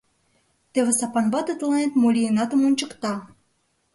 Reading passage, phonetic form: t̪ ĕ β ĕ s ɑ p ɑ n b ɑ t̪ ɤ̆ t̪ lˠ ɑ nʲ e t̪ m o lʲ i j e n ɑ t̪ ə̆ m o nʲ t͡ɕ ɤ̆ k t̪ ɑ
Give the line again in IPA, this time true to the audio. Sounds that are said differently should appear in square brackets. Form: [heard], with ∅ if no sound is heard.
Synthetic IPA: t̪ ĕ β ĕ s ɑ p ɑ n b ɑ t̪ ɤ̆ t̪ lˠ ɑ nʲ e t̪ m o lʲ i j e n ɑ t̪ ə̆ m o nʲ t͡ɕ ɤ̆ k t̪ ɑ